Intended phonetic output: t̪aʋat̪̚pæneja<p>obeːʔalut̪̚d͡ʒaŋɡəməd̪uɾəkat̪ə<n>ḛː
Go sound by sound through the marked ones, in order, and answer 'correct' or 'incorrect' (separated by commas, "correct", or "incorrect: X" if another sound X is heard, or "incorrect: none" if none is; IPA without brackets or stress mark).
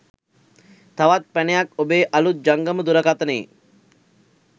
incorrect: k, correct